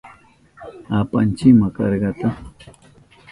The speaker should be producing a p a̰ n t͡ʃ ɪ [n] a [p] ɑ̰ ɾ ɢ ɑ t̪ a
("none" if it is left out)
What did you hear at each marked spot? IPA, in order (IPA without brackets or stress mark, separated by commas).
m, k